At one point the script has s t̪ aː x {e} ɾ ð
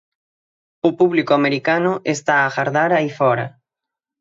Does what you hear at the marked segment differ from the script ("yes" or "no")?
yes